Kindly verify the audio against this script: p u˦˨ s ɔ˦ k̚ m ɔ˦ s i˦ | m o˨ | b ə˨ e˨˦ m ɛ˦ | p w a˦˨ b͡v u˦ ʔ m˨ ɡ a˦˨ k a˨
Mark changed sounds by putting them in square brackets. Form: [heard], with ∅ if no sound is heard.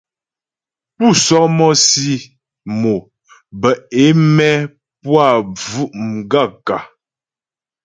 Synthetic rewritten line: p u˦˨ s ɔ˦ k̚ m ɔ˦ s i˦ | m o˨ | b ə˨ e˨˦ m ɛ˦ | p w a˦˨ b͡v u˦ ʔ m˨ ɡ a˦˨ k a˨